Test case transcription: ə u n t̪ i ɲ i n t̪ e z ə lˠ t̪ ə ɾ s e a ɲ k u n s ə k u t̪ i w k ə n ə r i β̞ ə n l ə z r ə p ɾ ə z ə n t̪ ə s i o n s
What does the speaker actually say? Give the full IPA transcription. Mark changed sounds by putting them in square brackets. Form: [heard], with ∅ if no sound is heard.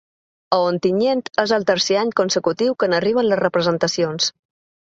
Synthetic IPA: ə [o] n t̪ i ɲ [e] n t̪ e z ə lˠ t̪ ə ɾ s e a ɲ k u n s ə k u t̪ i w k ə n ə r i β̞ ə n l ə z r ə p ɾ ə z ə n t̪ ə s i o n s

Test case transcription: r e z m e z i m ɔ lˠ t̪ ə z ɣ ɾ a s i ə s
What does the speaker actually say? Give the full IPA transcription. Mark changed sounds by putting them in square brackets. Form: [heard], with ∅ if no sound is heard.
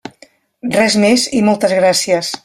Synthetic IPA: r [ɛ] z m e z i m ɔ lˠ t̪ ə z ɣ ɾ a s i ə s

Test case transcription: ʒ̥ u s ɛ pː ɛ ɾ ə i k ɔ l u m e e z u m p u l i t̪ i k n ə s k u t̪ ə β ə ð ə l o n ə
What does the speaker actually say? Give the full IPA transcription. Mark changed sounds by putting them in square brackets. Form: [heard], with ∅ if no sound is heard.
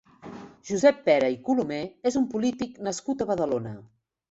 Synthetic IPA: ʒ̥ u [z] ɛ pː ɛ ɾ ə i k [u] l u m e e z u m p u l i t̪ i k n ə s k u t̪ ə β ə ð ə l o n ə

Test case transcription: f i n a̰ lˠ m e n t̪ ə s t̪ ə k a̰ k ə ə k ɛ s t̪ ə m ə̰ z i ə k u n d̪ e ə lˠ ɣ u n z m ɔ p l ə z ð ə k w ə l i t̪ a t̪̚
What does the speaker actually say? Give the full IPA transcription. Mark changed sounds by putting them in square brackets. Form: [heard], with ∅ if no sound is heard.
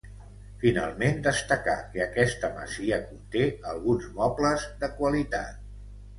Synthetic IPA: f i n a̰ lˠ m e n [d̪] ə s t̪ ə k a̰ k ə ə k ɛ s t̪ ə m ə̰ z i ə k u n [t̪] e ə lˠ ɣ u n z m ɔ p l ə z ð ə k w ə l i t̪ a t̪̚

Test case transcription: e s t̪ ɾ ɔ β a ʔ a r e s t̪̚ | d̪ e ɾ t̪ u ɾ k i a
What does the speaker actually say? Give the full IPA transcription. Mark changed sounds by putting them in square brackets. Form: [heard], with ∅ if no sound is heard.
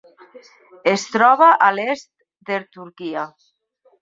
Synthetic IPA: e s t̪ ɾ ɔ β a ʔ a [l] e s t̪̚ | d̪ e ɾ t̪ u ɾ k i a

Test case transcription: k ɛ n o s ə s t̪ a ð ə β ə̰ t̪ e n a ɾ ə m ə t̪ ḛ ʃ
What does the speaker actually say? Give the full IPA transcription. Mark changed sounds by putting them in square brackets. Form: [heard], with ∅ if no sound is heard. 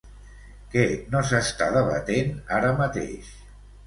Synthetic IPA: k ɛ n o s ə s t̪ a ð ə β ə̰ t̪ e n a ɾ ə m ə t̪ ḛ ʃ

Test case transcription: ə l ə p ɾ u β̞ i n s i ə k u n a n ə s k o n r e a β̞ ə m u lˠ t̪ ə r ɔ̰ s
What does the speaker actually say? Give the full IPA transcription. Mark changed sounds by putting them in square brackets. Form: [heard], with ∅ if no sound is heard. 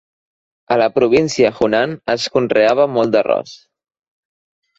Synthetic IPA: ə l ə p ɾ u β̞ i n s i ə [x] u n a n ə s k [u] n r e a β̞ ə m [ɔ] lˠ [d̪] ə r ɔ̰ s

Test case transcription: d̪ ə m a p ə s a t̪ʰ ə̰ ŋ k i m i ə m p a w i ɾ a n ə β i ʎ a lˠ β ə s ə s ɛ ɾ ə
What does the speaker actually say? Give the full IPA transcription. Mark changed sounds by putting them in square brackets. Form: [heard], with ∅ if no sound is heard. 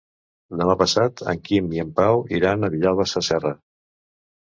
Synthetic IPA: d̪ ə m a p ə s a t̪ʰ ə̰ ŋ k i m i ə m p a w i ɾ a n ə β i ʎ a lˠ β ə s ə s ɛ [r] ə

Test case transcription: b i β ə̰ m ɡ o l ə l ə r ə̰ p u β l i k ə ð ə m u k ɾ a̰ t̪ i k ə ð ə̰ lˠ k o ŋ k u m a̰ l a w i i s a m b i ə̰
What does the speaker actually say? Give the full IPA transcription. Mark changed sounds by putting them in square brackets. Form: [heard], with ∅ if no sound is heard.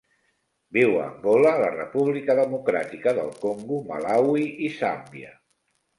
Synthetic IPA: b i [w] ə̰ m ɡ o l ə l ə r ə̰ p u β l i k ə ð ə m u k ɾ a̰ t̪ i k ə ð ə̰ lˠ k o ŋ [ɡ] u m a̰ l a w i i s a m b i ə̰

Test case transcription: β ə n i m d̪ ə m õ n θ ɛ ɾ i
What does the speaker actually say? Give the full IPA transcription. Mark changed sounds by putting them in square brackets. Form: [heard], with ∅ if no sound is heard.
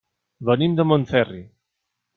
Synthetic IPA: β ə n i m d̪ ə m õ n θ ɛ [r] i

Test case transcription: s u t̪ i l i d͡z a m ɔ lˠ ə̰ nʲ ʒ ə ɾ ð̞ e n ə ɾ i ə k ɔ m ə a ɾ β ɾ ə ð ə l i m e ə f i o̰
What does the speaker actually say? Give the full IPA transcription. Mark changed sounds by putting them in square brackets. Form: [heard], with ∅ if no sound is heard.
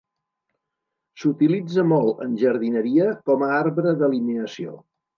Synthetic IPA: s u t̪ i l i d͡z [ə] m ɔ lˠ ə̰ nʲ ʒ ə ɾ ð̞ [i] n ə ɾ i ə k ɔ m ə a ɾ β ɾ ə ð ə l i m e ə [s] i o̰

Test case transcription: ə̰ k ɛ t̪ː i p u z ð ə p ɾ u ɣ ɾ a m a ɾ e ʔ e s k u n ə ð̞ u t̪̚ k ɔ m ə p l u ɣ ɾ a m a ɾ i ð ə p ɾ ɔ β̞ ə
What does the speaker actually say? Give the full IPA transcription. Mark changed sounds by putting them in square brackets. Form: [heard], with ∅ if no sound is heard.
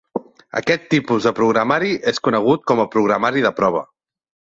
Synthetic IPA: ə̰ k ɛ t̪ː i p u z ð ə p ɾ u ɣ ɾ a m a ɾ [i] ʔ e s k u n ə [ɣ̞] u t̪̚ k ɔ m ə p [ɾ] u ɣ ɾ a m a ɾ i ð ə p ɾ ɔ β̞ ə

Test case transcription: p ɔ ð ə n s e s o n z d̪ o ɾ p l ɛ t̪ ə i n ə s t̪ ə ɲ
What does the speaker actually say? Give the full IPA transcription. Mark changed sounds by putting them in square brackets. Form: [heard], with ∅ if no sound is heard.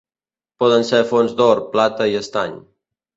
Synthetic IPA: p ɔ ð ə n s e [f] o n z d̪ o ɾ p l [a] t̪ ə i [∅] ə s t̪ [a] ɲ

